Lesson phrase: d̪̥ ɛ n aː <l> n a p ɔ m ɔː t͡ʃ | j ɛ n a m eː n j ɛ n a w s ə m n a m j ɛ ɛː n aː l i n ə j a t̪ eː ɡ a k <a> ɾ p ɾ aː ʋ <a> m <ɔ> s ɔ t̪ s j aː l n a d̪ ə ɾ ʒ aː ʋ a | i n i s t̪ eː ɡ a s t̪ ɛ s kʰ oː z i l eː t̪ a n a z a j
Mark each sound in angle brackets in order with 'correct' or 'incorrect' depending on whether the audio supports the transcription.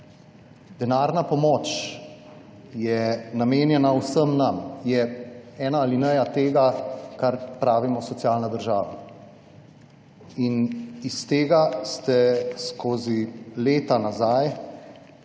incorrect: ɾ, correct, incorrect: i, correct

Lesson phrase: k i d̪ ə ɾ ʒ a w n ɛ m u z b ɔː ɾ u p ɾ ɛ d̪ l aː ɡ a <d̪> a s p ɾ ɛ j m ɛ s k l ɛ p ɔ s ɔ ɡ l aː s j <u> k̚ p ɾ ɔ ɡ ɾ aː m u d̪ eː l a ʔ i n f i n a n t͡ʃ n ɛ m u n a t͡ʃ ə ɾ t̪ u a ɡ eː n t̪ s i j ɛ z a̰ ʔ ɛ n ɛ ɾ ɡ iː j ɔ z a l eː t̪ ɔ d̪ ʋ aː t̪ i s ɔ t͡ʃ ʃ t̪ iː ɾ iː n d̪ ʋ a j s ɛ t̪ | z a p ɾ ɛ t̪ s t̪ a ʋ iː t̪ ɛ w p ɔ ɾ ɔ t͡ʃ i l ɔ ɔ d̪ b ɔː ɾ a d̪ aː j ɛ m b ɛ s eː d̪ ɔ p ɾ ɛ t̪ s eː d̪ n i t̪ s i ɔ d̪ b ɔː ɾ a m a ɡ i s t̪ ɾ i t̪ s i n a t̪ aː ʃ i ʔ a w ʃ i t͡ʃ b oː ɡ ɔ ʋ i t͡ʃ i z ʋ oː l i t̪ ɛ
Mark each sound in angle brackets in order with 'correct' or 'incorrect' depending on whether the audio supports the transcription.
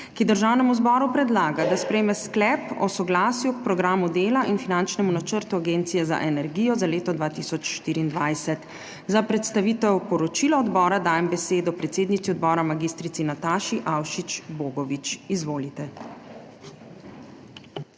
correct, correct

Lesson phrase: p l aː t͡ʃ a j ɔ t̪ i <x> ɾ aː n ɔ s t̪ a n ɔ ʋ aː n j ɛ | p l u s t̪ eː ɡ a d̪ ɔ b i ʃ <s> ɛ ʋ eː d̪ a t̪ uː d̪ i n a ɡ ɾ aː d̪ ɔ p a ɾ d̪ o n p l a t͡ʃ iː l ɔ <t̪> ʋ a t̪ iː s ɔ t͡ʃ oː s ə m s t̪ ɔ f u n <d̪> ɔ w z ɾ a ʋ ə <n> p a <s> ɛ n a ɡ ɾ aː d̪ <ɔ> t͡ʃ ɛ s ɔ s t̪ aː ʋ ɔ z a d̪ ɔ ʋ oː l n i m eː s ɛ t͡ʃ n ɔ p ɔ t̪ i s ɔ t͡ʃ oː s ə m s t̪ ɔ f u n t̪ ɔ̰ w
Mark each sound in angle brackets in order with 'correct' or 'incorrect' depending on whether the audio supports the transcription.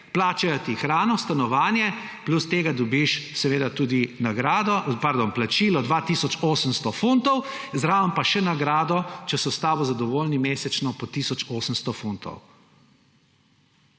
correct, correct, incorrect: d̪, incorrect: t̪, incorrect: m, incorrect: ʃ, correct

